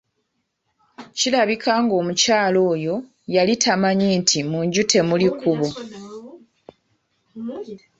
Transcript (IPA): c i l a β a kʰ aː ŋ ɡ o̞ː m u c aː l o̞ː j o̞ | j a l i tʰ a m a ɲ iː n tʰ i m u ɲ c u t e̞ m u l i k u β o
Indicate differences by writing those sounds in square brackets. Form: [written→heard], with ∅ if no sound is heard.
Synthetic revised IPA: c i l a β [a→i] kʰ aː ŋ ɡ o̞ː m u c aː l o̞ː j o̞ | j a l i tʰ a m a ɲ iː n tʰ i m u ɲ [c→ɟ] u t e̞ m u l i k u β o